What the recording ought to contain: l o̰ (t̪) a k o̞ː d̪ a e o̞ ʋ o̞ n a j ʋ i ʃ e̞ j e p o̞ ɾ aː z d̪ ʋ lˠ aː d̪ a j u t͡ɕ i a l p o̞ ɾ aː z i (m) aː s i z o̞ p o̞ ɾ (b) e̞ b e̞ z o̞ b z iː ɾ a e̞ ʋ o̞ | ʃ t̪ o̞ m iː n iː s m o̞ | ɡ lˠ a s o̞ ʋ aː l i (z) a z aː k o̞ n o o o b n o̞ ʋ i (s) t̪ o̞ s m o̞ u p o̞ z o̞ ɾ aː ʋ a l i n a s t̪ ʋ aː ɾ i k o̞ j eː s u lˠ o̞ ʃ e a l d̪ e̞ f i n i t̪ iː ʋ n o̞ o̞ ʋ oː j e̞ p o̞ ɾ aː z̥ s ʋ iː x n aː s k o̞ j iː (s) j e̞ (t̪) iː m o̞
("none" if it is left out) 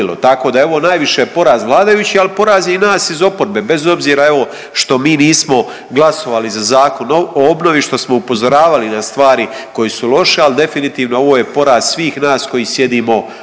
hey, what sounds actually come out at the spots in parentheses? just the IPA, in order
t̪, n, b, z, ʃ, s, d̪

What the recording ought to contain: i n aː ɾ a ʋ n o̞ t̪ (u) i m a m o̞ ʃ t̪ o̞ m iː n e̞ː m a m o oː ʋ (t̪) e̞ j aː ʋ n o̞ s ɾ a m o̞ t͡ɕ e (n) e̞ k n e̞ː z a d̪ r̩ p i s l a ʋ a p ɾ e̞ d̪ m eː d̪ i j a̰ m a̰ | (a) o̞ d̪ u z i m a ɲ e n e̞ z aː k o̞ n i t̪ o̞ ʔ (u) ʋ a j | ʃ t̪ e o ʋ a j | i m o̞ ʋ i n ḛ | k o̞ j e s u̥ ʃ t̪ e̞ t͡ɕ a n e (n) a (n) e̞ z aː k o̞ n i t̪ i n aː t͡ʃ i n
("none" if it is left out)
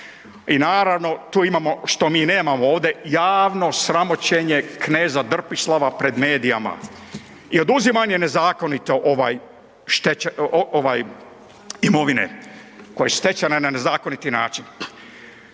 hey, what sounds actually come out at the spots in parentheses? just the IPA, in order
uː, d̪, ɲ, i, o, n, n

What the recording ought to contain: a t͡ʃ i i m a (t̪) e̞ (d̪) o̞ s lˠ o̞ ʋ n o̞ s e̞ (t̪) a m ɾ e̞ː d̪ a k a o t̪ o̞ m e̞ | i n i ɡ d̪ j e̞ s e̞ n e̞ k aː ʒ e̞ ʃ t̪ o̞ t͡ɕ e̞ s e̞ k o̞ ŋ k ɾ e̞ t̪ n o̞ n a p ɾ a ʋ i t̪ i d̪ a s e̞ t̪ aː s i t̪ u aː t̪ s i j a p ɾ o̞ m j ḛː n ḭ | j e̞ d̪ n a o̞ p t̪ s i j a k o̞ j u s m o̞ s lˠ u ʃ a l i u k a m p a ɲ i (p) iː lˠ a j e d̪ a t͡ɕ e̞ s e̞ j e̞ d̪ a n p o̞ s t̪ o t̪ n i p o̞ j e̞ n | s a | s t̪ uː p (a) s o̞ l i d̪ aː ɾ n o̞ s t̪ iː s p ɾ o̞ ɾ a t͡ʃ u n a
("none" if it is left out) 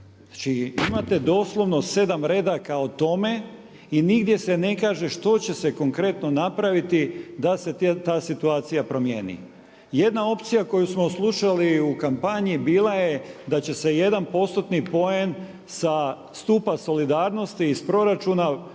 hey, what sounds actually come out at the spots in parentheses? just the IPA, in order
t̪, d̪, d̪, b, a

